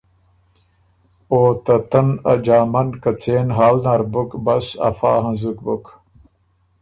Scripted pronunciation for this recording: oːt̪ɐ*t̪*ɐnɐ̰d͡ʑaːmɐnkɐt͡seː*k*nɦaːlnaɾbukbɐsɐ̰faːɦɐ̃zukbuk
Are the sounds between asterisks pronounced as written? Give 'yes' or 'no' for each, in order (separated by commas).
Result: yes, no